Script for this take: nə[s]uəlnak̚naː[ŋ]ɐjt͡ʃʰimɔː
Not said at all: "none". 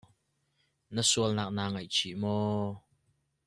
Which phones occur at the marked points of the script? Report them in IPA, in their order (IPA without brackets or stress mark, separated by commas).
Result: s, ŋ